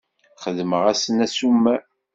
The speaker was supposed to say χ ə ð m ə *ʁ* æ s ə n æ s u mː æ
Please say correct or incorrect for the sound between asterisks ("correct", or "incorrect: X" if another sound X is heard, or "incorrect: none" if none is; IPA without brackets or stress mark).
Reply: correct